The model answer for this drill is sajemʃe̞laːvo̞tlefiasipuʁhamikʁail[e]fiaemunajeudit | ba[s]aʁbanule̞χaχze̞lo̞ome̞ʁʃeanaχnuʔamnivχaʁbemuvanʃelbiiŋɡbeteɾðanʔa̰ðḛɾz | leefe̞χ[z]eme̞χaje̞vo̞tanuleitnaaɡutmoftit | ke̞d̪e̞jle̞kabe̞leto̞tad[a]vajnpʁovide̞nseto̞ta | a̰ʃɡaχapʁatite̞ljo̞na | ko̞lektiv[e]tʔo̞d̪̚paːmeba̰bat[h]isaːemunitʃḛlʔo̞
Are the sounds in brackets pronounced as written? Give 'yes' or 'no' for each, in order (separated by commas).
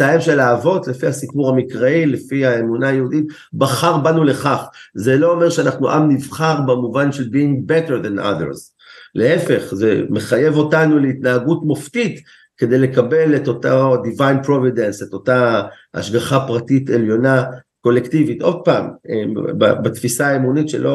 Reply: yes, no, yes, no, no, no